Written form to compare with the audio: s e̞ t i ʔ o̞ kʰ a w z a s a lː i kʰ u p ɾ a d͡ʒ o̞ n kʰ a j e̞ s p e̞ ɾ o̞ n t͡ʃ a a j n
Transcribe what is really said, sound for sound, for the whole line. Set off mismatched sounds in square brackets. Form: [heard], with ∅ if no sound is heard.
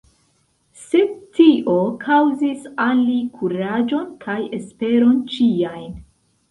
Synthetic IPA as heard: s e̞ t i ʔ o̞ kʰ a w z [i] s a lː i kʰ u [∅] ɾ a d͡ʒ o̞ n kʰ a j e̞ s p e̞ ɾ o̞ n t͡ʃ [i] a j n